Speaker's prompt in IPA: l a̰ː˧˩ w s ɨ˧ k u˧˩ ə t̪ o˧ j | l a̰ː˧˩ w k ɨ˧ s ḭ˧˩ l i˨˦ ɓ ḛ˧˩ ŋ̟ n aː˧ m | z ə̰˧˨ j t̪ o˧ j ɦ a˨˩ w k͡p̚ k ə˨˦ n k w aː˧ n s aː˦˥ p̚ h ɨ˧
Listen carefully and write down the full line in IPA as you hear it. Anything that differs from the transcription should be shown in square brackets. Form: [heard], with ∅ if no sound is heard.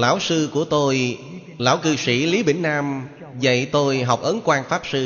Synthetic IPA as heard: l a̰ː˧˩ w s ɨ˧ k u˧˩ ə t̪ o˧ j | l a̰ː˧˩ w k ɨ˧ s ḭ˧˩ l i˨˦ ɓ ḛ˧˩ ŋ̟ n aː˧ m | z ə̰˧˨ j t̪ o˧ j ɦ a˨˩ w k͡p̚ [ʔ] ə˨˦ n k w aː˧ n [f] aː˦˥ p̚ [s] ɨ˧